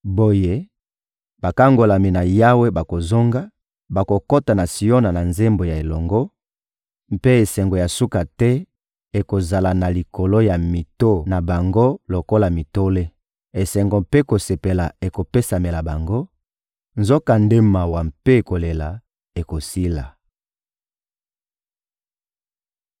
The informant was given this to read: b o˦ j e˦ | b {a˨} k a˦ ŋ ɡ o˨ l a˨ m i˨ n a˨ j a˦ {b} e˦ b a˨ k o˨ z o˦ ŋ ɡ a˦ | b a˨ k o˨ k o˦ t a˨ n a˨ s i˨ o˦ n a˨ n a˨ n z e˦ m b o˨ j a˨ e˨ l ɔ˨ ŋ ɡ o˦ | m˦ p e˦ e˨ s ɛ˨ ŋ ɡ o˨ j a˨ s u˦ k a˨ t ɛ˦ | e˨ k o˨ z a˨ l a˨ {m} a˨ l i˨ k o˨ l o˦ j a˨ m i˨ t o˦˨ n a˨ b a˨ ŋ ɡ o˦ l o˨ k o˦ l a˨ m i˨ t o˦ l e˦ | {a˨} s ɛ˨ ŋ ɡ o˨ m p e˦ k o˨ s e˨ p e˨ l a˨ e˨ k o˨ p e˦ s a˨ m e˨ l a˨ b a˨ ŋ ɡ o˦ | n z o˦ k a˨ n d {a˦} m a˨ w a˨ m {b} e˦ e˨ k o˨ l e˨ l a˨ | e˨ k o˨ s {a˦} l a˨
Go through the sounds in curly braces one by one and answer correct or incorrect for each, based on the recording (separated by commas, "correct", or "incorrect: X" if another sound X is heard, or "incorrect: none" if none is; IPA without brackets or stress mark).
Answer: correct, incorrect: w, incorrect: n, incorrect: e˨, incorrect: e˦, incorrect: p, incorrect: i˦